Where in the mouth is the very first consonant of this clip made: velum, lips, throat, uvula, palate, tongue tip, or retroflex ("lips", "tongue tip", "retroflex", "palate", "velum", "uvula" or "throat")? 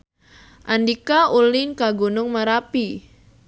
throat